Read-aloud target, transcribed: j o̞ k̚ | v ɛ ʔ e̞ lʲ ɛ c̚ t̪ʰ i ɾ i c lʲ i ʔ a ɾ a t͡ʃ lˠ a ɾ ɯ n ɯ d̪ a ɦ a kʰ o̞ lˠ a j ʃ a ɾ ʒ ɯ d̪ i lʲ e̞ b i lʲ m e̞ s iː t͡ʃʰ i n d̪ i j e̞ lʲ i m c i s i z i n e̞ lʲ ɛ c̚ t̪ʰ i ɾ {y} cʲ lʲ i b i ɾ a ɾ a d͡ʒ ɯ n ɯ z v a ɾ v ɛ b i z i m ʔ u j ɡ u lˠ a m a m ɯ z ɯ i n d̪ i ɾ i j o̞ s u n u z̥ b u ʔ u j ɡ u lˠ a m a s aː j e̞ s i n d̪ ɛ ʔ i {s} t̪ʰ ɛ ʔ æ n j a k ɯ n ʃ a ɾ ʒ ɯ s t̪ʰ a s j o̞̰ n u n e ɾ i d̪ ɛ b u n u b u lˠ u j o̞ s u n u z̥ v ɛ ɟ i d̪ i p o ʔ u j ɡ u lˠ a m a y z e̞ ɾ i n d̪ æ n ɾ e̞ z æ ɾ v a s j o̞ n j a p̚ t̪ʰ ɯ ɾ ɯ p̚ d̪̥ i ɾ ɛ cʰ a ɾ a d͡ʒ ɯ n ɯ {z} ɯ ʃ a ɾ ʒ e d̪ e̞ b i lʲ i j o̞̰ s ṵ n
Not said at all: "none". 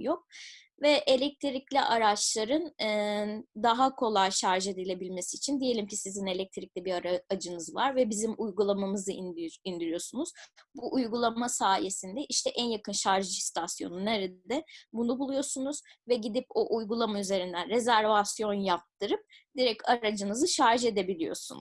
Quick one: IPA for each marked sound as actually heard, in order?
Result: i, ʃ, z

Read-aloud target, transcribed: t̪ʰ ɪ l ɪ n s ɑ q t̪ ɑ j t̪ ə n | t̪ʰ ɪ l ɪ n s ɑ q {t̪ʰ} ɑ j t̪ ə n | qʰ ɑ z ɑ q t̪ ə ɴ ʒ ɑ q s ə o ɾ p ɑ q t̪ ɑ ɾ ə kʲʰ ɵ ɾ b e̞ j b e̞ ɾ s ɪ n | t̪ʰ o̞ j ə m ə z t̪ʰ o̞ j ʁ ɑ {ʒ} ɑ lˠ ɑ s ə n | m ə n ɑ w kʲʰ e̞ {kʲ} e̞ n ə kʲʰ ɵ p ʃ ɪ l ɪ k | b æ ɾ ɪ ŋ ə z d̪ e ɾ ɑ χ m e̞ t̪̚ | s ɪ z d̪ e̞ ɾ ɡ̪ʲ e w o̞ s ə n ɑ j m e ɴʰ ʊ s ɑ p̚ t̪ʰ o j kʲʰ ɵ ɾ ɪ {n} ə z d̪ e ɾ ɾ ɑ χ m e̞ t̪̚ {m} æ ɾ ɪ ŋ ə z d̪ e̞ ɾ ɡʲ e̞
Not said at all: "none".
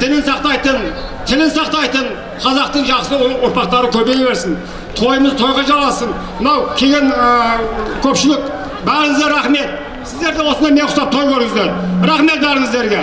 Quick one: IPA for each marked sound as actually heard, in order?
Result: t̪, ʒ, ɡʲ, ŋ, b

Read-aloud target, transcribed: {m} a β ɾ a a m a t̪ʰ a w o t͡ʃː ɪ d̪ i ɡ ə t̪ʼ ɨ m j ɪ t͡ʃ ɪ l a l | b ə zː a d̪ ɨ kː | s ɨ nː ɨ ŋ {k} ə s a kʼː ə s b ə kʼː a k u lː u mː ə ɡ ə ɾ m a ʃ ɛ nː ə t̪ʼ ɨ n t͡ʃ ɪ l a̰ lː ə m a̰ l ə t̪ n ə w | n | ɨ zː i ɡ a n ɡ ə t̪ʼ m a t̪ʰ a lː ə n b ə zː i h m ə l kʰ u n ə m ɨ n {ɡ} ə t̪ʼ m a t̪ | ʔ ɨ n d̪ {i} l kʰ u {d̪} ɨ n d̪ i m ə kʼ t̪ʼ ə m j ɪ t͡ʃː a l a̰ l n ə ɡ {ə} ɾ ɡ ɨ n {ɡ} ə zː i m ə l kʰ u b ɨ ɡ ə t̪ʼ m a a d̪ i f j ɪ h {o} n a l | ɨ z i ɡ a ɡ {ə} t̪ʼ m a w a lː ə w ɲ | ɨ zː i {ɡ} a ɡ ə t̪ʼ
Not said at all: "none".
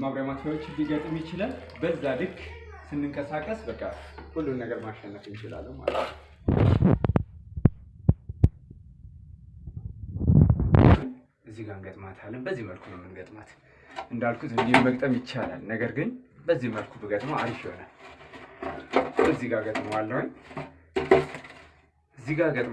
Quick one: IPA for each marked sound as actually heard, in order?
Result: m, kʼ, ɡ, a, t̪, ə, b, o, ə, ɡ

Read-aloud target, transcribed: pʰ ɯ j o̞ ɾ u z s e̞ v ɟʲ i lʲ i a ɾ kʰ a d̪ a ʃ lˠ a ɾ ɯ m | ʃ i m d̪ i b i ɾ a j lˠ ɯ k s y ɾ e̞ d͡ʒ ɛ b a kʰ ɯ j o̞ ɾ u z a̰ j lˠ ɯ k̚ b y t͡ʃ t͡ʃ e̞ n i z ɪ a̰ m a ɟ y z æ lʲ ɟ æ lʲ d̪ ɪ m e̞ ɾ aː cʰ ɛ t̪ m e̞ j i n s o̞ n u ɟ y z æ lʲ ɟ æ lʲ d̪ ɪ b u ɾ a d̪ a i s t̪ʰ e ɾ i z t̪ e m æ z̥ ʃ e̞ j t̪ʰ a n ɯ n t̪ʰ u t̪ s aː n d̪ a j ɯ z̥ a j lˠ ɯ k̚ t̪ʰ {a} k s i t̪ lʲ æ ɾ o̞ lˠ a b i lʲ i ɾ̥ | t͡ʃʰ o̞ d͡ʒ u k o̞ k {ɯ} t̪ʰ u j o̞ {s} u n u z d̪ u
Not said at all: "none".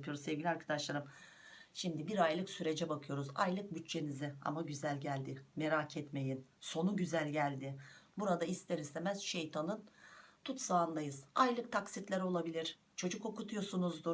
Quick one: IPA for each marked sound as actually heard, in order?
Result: a, u, s

